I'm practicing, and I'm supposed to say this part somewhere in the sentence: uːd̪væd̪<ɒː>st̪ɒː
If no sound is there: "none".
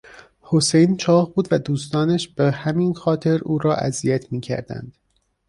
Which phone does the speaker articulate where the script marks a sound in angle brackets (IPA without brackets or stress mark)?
uː